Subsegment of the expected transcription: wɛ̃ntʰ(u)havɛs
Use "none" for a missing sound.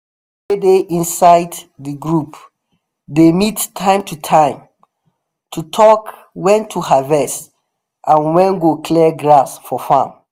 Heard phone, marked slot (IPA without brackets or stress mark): u